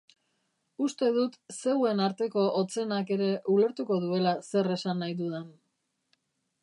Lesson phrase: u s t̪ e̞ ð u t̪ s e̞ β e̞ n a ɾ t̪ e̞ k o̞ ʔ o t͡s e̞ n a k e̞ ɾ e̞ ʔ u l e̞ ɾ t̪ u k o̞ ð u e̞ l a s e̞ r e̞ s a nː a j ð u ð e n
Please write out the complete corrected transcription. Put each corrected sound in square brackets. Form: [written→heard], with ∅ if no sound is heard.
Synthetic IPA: u s t̪ e̞ ð u t̪ s e̞ [β→w] e̞ n a ɾ t̪ e̞ k o̞ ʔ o t͡s e̞ n a k e̞ ɾ e̞ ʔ u l e̞ ɾ t̪ u k o̞ ð u e̞ l a s e̞ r e̞ s a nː a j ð u ð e n